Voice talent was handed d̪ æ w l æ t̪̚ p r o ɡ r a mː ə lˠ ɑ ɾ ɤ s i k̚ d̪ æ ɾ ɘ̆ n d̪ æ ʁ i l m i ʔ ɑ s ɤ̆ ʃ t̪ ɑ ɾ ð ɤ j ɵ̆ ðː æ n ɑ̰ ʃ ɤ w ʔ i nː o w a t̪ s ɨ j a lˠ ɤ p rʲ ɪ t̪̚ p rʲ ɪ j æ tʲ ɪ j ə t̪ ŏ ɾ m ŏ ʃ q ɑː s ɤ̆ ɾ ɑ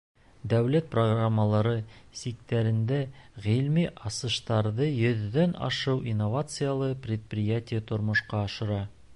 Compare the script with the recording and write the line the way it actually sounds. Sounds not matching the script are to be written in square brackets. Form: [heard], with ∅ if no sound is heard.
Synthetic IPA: d̪ æ w l æ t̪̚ p r o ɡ r a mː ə lˠ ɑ ɾ ɤ s i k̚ [t̪] æ ɾ ɘ̆ n d̪ æ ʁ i l m i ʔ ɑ s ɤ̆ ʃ t̪ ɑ ɾ ð ɤ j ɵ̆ ðː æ n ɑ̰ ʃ ɤ w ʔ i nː o [v] a t̪ s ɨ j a lˠ ɤ p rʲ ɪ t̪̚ p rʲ ɪ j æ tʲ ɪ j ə t̪ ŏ ɾ m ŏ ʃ q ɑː [ʃ] ɤ̆ ɾ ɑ